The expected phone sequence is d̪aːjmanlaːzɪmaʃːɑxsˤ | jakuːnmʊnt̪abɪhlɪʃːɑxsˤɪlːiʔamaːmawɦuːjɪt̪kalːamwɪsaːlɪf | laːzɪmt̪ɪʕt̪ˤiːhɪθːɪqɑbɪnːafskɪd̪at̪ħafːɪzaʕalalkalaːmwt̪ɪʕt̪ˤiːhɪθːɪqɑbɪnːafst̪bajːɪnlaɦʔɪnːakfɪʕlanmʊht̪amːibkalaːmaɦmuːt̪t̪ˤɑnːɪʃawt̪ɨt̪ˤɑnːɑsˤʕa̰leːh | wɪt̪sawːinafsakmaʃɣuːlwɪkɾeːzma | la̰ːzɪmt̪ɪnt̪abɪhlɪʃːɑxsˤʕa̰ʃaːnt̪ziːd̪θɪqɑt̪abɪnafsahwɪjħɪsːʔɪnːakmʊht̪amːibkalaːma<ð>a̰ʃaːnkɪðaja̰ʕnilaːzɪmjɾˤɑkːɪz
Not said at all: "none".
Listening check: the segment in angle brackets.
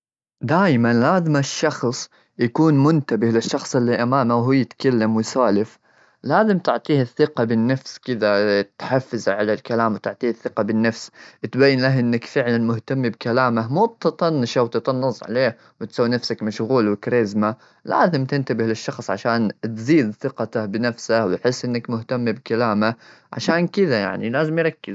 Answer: ʕ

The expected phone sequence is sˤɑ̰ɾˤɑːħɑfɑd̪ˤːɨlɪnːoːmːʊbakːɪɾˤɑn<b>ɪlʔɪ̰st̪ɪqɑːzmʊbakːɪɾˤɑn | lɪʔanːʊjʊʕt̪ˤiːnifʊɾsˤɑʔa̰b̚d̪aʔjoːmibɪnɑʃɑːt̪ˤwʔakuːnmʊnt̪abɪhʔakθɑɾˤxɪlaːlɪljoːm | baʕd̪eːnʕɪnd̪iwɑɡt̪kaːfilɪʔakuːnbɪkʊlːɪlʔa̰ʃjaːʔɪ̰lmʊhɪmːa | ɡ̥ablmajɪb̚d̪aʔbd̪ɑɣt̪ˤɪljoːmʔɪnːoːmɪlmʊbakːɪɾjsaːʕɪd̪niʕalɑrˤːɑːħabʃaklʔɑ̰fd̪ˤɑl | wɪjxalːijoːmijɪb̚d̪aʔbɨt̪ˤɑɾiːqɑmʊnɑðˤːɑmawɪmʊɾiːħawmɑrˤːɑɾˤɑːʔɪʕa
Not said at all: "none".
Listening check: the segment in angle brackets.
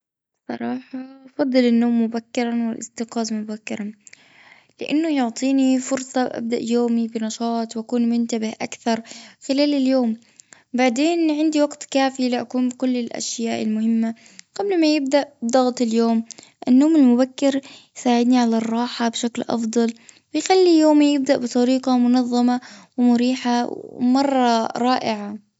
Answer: w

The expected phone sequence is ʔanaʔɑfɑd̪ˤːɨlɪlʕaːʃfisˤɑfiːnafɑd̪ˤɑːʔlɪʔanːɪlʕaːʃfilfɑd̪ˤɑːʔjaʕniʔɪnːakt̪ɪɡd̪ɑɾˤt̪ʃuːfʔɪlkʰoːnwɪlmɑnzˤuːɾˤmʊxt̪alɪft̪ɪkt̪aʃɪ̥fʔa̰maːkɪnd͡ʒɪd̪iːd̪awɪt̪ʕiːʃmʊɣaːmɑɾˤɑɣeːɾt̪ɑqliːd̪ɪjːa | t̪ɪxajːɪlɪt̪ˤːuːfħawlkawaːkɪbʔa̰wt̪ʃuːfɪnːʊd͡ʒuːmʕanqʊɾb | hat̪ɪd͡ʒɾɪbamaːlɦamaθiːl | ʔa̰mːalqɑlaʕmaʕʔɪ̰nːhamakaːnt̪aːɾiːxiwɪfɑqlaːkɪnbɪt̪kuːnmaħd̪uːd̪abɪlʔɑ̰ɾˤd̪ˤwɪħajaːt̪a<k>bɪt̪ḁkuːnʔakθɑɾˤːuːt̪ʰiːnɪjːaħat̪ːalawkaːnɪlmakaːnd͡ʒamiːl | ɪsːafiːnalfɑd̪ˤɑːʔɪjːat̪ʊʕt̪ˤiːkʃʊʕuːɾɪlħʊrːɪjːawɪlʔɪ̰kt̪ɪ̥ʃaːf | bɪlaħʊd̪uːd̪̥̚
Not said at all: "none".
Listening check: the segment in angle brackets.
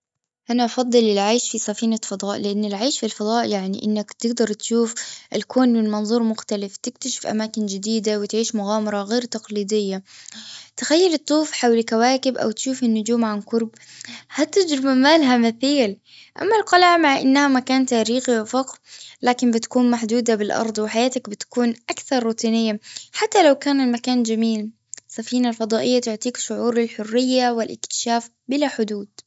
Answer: k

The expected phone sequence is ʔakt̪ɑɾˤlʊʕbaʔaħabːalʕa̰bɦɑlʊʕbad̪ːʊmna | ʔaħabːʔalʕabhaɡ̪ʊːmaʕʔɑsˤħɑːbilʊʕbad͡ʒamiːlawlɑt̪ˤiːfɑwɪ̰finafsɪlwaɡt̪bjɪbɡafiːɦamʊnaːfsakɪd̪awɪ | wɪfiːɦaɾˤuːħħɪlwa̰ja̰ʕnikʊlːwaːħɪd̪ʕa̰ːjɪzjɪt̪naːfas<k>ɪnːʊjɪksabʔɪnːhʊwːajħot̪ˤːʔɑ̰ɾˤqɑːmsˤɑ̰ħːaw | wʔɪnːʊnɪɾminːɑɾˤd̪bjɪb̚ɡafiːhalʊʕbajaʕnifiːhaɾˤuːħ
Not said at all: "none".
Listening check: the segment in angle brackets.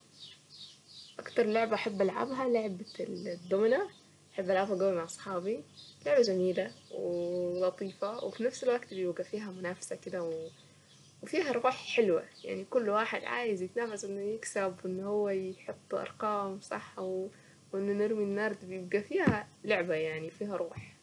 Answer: ʔ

